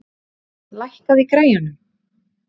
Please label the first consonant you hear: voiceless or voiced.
voiced